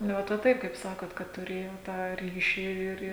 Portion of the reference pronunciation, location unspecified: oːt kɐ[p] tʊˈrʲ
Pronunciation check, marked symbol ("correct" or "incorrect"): incorrect